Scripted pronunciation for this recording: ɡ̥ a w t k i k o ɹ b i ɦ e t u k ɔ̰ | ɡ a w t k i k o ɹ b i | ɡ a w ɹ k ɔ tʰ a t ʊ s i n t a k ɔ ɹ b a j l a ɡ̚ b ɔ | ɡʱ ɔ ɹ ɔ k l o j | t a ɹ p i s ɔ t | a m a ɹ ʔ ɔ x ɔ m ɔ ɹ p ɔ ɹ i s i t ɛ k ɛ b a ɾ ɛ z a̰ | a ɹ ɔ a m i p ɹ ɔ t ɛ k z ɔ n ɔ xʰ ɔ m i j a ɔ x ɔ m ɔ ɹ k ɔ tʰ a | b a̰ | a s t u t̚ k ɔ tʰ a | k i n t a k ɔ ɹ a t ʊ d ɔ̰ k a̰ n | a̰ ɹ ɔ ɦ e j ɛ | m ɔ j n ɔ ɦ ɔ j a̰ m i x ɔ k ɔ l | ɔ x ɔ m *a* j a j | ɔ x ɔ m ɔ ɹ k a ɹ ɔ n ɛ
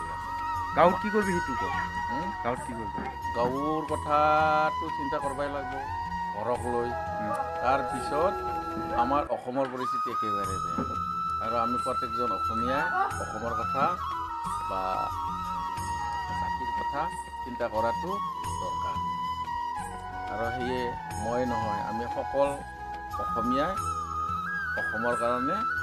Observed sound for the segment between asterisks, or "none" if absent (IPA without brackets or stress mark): i